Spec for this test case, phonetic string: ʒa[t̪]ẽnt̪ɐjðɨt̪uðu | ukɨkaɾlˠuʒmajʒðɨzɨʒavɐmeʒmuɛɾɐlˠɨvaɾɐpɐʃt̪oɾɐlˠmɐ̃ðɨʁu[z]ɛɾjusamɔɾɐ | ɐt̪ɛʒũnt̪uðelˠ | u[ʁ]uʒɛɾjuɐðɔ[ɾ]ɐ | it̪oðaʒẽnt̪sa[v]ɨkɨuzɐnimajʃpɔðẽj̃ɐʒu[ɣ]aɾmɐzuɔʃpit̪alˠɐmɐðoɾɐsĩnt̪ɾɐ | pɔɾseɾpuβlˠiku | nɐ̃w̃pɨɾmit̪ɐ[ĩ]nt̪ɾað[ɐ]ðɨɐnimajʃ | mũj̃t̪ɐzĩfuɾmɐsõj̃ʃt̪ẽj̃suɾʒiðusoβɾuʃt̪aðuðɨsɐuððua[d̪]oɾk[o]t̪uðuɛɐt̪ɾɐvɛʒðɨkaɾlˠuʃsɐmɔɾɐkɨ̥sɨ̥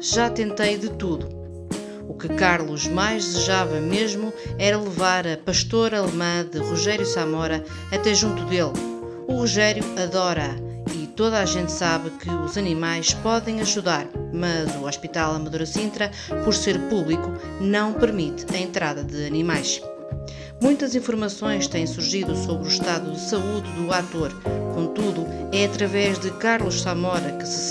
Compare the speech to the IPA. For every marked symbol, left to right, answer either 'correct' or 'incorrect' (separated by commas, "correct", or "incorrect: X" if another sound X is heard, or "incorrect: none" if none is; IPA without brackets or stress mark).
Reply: correct, incorrect: ʒ, correct, correct, incorrect: β, incorrect: ð, incorrect: ẽ, correct, incorrect: t̪, incorrect: õ